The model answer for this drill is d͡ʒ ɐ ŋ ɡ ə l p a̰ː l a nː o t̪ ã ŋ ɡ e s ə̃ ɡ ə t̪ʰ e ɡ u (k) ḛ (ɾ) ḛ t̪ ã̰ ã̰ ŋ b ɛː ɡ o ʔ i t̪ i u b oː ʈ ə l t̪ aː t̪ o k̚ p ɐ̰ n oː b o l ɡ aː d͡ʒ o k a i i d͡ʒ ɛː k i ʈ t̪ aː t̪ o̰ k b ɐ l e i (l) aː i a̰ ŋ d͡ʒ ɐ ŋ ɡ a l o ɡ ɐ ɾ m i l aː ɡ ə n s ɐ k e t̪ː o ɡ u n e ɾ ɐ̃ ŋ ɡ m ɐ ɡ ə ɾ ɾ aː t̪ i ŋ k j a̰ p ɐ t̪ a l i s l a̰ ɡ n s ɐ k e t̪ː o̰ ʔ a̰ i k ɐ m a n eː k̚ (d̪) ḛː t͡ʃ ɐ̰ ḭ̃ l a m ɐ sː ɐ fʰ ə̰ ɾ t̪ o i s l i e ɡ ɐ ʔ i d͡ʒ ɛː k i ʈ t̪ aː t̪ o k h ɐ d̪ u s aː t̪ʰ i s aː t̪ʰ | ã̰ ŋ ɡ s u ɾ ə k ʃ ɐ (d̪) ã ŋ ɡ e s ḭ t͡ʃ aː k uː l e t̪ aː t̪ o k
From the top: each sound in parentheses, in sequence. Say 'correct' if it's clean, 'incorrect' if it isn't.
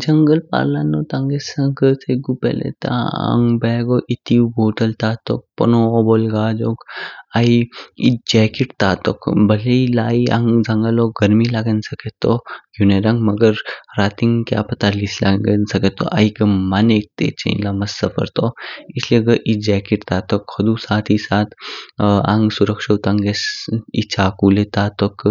incorrect, incorrect, correct, incorrect, incorrect

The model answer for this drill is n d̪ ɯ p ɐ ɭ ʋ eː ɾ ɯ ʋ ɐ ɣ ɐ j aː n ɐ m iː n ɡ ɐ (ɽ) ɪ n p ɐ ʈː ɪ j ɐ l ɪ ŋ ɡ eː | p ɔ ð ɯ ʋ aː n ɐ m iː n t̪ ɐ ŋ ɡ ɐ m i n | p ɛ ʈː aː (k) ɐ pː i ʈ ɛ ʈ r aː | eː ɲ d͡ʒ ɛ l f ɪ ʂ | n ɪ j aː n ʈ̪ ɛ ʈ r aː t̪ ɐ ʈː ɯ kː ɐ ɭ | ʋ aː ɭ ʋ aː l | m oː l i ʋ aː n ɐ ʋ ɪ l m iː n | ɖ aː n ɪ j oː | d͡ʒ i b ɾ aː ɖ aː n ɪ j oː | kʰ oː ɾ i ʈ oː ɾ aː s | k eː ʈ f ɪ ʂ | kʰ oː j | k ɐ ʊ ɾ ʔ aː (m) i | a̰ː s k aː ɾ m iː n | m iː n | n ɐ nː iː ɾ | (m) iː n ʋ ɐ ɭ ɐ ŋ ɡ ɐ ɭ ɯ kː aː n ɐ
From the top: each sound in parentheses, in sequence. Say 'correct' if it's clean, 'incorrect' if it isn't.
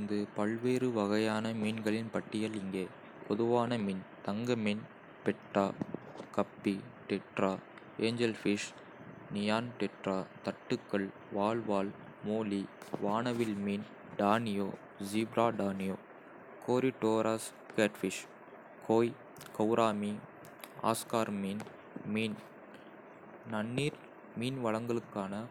incorrect, correct, correct, correct

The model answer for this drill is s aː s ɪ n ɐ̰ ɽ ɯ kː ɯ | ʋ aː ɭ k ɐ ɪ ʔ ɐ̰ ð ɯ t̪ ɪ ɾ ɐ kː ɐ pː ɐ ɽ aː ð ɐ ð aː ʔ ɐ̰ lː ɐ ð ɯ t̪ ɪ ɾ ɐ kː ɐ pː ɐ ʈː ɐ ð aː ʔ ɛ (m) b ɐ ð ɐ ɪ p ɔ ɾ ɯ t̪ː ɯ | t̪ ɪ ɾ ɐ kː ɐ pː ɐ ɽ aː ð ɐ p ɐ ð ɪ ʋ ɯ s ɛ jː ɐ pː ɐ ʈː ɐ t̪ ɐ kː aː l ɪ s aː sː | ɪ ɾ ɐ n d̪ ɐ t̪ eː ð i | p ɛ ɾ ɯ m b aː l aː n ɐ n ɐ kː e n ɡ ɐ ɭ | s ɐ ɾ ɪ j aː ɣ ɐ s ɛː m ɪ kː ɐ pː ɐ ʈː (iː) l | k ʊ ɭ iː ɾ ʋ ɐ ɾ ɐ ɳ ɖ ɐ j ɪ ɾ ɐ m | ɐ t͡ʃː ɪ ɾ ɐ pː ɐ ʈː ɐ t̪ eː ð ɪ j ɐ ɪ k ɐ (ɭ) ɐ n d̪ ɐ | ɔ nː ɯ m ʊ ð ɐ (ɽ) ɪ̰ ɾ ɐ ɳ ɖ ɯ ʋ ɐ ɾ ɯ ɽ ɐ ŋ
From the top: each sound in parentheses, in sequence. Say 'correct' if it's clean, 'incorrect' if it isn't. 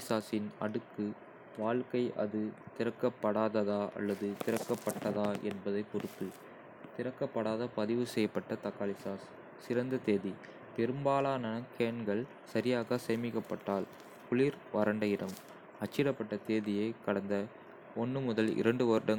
incorrect, incorrect, incorrect, incorrect

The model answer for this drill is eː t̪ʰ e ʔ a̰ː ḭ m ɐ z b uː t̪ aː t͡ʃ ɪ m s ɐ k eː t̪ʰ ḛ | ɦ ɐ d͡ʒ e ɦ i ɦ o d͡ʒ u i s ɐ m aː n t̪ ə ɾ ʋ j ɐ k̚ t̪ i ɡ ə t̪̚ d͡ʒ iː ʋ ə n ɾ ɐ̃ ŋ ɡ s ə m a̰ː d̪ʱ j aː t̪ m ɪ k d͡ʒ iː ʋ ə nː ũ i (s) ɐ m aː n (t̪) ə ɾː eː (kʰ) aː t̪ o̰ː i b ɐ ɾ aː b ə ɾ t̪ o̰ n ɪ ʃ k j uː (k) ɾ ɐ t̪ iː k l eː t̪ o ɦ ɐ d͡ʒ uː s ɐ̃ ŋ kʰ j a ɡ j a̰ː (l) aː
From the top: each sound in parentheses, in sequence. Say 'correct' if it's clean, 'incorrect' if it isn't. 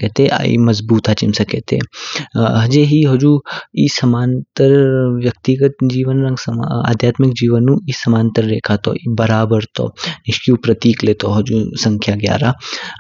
correct, correct, correct, incorrect, incorrect

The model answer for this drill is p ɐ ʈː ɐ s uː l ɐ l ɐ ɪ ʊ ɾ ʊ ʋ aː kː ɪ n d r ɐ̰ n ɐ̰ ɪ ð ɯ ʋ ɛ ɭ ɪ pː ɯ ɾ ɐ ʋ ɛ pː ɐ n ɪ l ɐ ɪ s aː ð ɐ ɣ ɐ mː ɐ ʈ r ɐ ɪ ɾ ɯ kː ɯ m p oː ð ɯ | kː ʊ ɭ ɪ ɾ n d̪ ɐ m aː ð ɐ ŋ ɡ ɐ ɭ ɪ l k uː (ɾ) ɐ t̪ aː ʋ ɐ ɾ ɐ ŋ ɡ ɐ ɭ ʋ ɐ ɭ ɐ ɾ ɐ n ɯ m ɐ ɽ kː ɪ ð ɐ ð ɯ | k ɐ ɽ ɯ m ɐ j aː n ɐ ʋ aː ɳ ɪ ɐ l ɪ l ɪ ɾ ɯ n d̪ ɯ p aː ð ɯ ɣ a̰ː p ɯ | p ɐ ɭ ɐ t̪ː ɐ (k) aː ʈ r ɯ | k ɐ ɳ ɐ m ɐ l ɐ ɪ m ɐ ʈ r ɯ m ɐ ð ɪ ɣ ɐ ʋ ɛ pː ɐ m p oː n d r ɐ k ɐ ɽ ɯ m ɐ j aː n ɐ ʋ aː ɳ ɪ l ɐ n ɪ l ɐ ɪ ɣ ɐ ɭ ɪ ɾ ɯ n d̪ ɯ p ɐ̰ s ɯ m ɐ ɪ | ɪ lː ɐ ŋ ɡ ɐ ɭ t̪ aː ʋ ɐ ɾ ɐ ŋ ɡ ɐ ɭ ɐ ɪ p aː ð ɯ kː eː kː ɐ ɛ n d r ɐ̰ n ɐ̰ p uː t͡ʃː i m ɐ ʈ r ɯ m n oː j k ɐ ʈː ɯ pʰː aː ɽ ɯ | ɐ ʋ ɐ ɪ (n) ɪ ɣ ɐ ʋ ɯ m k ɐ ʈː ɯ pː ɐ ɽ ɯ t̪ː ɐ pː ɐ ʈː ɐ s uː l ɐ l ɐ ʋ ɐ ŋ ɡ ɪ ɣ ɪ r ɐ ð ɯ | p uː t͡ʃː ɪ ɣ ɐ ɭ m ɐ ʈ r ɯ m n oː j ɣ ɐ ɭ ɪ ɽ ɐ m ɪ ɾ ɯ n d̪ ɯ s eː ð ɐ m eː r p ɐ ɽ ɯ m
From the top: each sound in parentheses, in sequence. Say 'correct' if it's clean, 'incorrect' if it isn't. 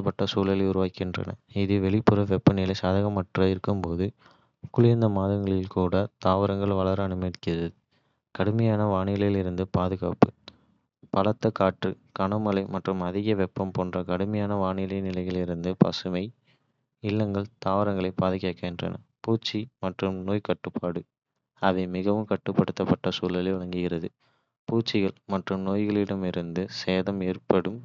incorrect, correct, incorrect

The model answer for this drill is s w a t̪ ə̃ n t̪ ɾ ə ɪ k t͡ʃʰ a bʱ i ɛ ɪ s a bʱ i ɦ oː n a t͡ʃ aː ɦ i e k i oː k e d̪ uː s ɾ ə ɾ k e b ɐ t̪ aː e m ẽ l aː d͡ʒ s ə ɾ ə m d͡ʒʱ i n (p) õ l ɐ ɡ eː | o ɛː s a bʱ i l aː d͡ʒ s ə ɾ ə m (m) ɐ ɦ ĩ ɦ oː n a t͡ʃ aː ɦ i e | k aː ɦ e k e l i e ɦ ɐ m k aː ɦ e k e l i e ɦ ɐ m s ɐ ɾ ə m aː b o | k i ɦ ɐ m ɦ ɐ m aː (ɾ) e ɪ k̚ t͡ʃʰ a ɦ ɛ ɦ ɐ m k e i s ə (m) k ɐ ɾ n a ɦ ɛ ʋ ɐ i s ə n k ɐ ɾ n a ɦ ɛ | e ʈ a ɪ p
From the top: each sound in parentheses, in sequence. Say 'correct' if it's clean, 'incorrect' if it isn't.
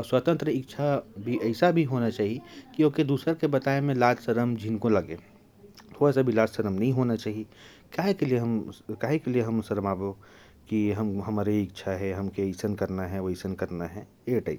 incorrect, incorrect, correct, incorrect

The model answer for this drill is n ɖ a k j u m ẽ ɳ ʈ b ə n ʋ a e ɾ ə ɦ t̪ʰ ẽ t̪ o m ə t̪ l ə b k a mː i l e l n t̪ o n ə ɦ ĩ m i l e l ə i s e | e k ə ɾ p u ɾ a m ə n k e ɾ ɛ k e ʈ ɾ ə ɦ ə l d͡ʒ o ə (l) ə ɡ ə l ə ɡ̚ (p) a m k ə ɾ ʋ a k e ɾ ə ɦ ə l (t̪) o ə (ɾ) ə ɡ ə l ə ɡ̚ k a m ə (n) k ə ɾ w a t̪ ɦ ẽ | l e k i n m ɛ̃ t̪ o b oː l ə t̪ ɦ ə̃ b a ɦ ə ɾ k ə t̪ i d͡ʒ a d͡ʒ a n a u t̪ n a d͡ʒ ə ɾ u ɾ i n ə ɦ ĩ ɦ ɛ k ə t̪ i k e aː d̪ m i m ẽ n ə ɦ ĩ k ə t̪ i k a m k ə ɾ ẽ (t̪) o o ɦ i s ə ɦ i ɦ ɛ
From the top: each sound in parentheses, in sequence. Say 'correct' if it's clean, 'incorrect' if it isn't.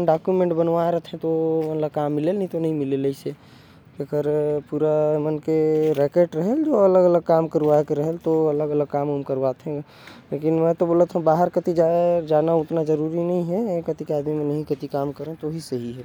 correct, incorrect, correct, incorrect, incorrect, correct

